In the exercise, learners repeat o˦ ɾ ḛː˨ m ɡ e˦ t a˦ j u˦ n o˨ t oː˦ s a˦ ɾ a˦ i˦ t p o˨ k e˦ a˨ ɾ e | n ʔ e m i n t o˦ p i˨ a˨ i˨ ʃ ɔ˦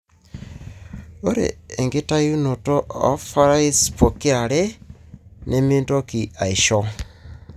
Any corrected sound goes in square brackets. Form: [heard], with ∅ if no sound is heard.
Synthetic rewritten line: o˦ ɾ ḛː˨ [ŋ] ɡ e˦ t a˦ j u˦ n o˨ t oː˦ [f] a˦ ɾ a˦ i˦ [s] p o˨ k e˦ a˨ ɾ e | n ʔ e m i n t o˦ [k] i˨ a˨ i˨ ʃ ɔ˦